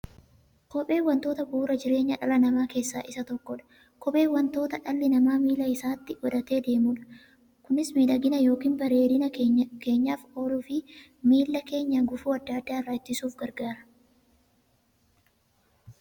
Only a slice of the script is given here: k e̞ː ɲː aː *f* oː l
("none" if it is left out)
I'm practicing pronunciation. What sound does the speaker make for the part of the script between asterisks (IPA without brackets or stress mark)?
f